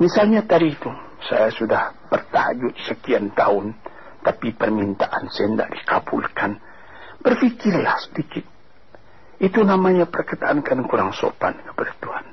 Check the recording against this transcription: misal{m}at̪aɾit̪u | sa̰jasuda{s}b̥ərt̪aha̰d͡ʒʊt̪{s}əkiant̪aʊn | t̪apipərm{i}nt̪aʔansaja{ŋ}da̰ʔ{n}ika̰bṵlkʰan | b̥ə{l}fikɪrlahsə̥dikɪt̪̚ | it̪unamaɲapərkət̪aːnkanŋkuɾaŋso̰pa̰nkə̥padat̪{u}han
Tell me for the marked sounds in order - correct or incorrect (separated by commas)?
incorrect, incorrect, correct, correct, incorrect, incorrect, incorrect, correct